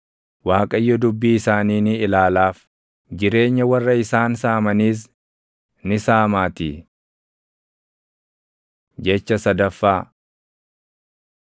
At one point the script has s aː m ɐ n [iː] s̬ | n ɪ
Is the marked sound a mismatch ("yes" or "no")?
no